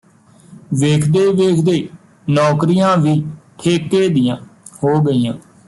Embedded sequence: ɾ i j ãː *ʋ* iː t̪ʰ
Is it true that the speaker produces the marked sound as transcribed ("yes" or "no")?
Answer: yes